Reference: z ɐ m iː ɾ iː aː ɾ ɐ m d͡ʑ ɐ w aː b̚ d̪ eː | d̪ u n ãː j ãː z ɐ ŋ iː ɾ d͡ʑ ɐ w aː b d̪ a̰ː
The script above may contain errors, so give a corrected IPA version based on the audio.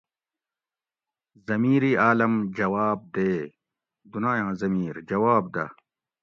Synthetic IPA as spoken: z ɐ m iː ɾ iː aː l ɐ m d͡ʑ ɐ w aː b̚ d̪ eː | d̪ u n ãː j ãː z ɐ m iː ɾ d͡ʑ ɐ w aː b d̪ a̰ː